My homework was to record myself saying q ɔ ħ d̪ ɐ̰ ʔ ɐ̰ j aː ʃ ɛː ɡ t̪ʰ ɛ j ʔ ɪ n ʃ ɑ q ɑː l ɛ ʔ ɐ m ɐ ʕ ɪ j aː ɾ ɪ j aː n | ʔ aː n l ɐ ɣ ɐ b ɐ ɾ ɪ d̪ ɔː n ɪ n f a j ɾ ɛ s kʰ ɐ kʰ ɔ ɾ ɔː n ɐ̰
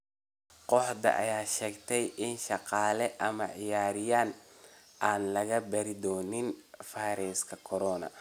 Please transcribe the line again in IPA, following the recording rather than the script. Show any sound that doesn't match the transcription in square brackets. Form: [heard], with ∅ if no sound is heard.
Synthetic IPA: q ɔ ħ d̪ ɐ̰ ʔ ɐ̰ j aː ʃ ɛː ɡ t̪ʰ ɛ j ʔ ɪ n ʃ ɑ q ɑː l ɛ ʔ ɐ m ɐ ʕ ɪ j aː ɾ ɪ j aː n | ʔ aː n l ɐ ɣ ɐ b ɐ ɾ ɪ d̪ ɔː n ɪ n f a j ɾ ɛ s kʰ ɐ kʰ ɔ ɾ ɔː n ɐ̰